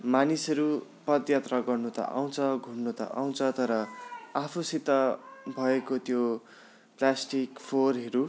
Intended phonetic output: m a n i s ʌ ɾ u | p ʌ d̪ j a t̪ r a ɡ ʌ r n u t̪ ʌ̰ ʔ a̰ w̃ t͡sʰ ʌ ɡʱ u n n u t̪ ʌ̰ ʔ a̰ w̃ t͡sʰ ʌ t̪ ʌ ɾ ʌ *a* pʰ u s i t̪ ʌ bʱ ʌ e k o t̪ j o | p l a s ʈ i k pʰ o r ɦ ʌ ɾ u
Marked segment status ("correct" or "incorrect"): correct